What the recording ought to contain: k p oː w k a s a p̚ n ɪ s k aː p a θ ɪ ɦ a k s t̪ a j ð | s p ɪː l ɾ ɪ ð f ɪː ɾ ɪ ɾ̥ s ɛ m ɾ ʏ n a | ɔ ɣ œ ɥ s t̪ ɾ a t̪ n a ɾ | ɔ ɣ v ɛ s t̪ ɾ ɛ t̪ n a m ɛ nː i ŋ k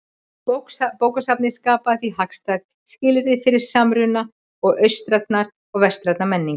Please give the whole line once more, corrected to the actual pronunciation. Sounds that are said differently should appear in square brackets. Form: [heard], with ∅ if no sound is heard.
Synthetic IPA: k p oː w k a s a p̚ n ɪ s k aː p a θ [i] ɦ a k s t̪ a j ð | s [c] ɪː l ɾ ɪ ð f [ɪ] ɾ ɪ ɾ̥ s [a] m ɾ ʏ n a | ɔ ɣ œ ɥ s t̪ ɾ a t̪ n a ɾ | ɔ ɣ v ɛ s t̪ ɾ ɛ t̪ n a m ɛ nː i ŋ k